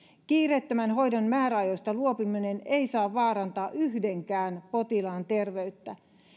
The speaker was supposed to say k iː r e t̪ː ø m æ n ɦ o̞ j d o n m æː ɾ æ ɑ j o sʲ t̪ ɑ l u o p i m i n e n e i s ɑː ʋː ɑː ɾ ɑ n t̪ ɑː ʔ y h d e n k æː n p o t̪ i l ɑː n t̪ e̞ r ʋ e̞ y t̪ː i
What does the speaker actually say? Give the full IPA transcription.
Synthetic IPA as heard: k iː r e t̪ː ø m æ n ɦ o̞ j d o n m æː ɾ æ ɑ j o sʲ t̪ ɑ l u o p i m i n e n e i s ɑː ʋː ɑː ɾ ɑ n t̪ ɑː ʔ y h d e ŋ k æː n p o t̪ i l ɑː n t̪ e̞ r ʋ e̞ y t̪ː æ